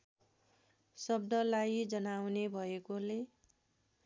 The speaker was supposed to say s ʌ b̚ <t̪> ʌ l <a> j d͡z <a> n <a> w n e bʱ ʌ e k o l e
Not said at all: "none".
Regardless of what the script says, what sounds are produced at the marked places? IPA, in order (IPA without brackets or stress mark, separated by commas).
d̪, a, ʌ, a